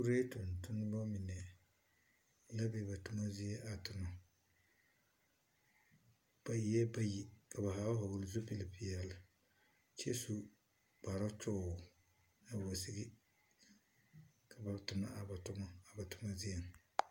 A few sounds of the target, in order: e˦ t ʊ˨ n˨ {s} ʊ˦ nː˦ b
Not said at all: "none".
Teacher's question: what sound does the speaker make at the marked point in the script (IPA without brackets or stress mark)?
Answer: t